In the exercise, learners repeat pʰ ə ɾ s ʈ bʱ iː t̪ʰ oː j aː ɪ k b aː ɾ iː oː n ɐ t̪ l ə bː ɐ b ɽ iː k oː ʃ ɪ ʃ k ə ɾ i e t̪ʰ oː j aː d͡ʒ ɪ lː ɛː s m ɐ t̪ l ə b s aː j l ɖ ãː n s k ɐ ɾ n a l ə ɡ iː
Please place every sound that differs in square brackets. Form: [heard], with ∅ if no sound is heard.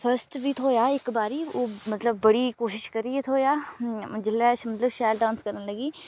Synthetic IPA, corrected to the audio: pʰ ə ɾ s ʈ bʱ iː t̪ʰ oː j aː ɪ k b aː ɾ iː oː [m] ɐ t̪ l ə bː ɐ [∅] ɽ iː k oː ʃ ɪ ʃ k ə ɾ i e t̪ʰ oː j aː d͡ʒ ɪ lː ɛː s m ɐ t̪ l ə b [ʃ] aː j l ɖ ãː n s k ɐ ɾ n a l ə ɡ iː